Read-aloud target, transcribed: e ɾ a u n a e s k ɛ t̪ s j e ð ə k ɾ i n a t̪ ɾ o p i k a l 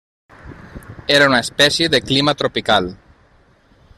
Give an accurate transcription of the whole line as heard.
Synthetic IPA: e ɾ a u n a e s p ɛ s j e ð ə k l i m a t̪ ɾ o p i k a l